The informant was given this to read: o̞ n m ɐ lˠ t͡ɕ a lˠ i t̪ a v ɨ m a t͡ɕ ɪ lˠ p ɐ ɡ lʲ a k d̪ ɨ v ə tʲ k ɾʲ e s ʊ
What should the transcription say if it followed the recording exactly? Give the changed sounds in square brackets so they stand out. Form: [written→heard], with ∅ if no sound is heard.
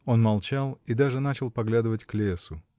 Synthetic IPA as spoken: o̞ n m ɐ lˠ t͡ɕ a lˠ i [t̪→d̪] a [v→ʐ] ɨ [m→n] a t͡ɕ ɪ lˠ p ɐ ɡ lʲ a [k→∅] d̪ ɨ v ə tʲ k [ɾʲ→lʲ] e s ʊ